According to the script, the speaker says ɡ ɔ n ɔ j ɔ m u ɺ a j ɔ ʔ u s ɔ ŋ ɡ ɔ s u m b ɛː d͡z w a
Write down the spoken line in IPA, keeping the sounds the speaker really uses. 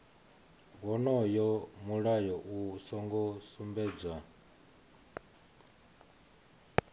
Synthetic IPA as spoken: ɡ ɔ n ɔ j ɔ m u ɺ a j ɔ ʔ u s ɔ ŋ ɡ ɔ s u m b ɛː d͡z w a